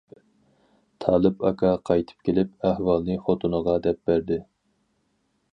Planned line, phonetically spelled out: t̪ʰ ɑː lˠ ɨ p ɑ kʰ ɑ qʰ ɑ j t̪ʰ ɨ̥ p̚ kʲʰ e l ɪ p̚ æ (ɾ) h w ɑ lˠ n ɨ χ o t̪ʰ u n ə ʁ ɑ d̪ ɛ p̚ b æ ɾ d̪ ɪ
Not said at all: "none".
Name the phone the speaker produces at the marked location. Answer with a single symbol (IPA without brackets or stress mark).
none